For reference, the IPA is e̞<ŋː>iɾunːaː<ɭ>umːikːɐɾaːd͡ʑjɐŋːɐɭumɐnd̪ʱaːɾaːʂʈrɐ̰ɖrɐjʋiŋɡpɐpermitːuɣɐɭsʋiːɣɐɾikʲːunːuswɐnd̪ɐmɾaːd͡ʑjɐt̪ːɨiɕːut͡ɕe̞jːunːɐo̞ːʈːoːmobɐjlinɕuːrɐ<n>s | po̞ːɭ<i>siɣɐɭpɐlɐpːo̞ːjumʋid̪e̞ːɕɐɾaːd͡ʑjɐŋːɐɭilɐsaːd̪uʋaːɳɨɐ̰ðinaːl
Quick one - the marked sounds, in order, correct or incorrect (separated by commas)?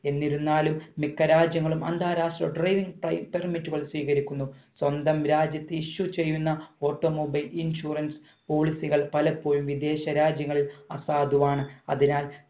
incorrect, incorrect, correct, correct